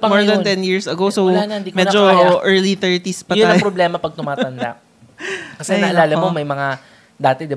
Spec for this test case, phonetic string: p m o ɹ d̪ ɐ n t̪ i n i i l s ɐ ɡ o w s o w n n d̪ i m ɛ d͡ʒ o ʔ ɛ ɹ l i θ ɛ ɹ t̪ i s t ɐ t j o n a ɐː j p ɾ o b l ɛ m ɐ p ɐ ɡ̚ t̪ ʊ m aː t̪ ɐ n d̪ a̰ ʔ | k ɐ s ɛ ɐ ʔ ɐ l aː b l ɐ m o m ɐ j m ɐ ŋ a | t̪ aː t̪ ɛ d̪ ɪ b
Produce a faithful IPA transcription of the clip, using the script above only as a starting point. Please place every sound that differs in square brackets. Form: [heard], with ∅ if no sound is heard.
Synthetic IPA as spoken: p m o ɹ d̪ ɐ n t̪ [ɛ] n [j] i [ɹ] s ɐ ɡ o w s o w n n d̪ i m ɛ d͡ʒ o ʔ ɛ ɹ l i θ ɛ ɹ t̪ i s [p] ɐ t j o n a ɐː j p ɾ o b l ɛ m ɐ p ɐ ɡ̚ t̪ ʊ m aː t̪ ɐ n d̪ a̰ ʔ | k ɐ s ɛ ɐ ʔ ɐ l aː [∅] l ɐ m o m ɐ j m ɐ ŋ a | [d̪] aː t̪ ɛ d̪ ɪ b